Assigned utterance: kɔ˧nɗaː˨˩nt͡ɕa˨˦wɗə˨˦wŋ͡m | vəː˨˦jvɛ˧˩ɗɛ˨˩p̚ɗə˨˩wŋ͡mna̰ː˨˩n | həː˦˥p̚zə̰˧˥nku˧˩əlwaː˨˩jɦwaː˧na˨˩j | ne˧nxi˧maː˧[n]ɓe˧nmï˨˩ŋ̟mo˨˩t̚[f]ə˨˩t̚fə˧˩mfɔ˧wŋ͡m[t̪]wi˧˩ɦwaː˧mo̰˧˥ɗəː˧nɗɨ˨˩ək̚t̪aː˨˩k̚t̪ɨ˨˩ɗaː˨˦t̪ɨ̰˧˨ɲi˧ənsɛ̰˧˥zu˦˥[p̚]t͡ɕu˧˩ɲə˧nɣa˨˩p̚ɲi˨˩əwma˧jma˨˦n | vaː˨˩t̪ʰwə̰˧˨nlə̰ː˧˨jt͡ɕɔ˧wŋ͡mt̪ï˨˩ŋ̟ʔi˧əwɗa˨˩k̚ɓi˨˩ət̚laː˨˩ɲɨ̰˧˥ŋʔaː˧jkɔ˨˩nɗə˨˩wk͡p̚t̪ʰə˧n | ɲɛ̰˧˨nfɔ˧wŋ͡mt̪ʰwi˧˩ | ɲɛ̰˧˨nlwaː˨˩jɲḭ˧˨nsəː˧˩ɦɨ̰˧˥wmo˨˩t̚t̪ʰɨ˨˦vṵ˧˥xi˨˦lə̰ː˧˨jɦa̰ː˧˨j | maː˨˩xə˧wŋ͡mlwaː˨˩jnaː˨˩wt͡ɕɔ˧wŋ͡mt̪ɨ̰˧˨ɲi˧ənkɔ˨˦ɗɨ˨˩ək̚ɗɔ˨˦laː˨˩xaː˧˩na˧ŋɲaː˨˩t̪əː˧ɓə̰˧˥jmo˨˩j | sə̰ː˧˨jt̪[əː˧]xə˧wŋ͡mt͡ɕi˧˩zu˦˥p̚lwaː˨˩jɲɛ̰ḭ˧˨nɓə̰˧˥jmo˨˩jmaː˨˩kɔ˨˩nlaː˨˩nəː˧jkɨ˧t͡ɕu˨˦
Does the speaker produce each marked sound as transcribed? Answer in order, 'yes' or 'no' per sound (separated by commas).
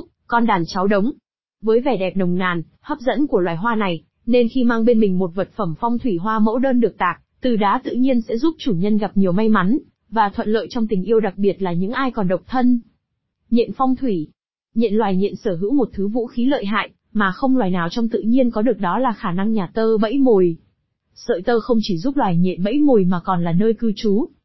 no, no, no, yes, yes